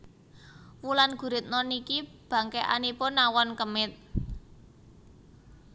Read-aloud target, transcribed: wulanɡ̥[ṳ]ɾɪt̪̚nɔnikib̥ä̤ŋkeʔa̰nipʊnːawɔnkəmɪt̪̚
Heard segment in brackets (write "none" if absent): ṳ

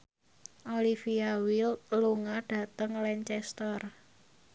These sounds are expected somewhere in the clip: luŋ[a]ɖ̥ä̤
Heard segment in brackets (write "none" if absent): a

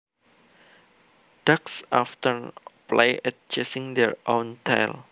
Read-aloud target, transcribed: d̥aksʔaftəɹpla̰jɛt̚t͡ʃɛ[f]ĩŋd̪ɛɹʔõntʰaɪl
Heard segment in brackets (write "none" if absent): s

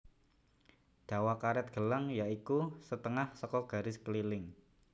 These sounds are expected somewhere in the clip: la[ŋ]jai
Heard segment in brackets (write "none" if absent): ŋ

